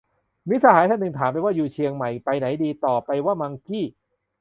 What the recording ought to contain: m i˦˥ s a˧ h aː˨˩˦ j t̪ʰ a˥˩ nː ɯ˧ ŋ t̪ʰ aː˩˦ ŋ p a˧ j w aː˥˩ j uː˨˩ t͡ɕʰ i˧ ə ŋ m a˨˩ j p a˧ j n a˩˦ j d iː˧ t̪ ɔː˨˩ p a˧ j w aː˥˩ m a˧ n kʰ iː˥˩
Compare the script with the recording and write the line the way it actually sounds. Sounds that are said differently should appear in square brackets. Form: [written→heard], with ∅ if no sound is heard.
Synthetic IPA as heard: m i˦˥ s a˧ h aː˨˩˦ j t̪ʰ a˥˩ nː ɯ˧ ŋ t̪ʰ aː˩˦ [ŋ→m] p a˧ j w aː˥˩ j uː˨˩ t͡ɕʰ i˧ ə ŋ m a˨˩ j p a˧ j n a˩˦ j d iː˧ t̪ ɔː˨˩ p a˧ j w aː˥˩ m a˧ [n→ŋ] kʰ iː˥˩